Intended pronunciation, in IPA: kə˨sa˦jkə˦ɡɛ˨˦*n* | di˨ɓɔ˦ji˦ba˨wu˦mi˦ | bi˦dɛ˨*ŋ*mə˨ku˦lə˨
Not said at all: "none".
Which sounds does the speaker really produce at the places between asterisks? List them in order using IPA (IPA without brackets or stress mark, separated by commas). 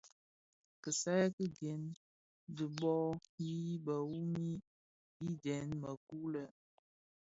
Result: n, n